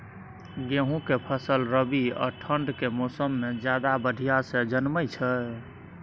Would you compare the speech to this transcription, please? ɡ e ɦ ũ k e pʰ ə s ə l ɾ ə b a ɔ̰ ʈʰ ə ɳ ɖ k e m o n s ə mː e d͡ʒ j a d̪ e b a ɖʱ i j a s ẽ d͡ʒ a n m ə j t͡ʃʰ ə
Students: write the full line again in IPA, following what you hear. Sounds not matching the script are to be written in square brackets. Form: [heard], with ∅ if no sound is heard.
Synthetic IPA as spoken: ɡ e ɦ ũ k e pʰ ə s ə l ɾ ə b [i] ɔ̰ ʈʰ ə ɳ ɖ k e m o [∅] s ə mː e d͡ʒ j a d̪ [a] b [ə] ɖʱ i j a s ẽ d͡ʒ [ə] n m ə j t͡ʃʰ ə